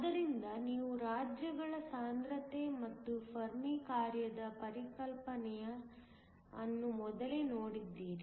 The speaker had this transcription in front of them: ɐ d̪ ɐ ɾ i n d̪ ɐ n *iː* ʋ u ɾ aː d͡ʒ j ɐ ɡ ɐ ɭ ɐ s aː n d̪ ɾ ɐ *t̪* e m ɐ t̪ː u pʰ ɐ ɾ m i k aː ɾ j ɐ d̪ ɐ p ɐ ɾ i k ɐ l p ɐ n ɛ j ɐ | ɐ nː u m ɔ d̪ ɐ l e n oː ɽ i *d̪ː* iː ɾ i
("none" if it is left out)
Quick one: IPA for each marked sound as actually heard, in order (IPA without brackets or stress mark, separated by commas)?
iː, t̪, d̪ː